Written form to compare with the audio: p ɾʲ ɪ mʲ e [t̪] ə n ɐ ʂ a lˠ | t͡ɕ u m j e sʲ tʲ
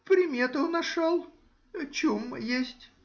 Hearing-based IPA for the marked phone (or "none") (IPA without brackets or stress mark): t̪